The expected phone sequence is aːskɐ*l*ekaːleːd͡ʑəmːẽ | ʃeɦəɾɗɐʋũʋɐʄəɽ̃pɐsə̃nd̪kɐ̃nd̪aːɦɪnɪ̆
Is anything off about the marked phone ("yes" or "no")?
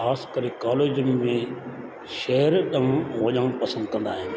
yes